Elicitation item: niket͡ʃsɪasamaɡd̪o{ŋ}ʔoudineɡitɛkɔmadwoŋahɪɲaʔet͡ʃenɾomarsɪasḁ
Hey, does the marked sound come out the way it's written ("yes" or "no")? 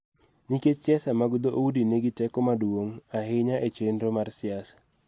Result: no